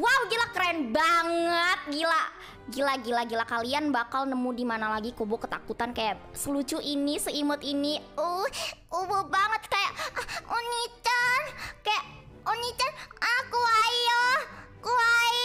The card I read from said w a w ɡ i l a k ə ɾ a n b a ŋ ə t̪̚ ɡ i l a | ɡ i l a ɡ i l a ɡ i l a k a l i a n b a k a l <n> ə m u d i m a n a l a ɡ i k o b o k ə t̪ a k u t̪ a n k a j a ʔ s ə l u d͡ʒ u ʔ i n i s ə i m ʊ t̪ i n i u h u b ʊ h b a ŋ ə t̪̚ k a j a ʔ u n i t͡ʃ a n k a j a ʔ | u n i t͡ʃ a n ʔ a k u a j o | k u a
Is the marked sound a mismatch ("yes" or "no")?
no